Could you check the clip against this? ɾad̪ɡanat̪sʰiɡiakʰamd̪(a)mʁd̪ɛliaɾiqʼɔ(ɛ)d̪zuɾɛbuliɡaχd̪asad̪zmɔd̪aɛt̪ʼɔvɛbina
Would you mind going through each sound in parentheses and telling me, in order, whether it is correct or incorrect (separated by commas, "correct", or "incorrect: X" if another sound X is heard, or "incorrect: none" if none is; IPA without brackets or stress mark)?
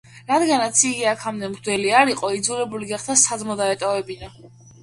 incorrect: ɛ, incorrect: i